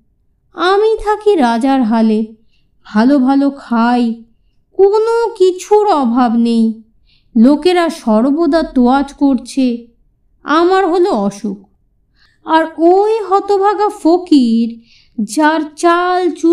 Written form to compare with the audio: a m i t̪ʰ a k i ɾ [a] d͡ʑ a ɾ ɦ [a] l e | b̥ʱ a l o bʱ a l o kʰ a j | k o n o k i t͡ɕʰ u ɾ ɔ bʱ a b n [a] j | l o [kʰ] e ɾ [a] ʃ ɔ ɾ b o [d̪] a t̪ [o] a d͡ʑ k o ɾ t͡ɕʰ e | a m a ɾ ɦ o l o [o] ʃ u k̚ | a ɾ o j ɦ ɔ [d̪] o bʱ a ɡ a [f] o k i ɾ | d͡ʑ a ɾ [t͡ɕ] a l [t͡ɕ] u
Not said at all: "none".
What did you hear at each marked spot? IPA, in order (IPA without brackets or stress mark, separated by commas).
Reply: a, a, e, k, a, d̪, o, ɔ, t̪, f, t͡ɕ, t͡ɕ